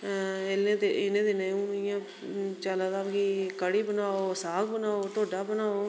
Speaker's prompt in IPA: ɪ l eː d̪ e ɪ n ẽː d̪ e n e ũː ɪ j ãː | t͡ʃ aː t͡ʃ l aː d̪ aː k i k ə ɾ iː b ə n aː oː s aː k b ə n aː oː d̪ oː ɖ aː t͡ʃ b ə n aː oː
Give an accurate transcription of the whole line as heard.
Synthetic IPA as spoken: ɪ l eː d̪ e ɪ n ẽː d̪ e n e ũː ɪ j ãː | t͡ʃ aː l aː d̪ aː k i k ə ɽ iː b ə n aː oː s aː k b ə n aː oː t̪ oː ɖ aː b ə n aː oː